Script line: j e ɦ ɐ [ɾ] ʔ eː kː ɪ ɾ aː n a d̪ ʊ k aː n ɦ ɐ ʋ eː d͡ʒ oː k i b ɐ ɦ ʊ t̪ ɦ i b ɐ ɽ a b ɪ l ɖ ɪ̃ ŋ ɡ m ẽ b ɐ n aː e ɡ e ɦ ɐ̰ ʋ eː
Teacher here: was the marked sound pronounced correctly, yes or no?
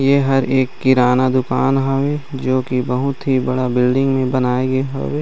yes